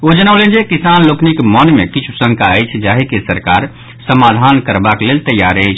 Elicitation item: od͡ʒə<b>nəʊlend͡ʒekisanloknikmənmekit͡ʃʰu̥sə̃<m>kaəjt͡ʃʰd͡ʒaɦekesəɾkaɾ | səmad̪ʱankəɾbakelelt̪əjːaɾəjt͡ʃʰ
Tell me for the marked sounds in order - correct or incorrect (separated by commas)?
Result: incorrect, incorrect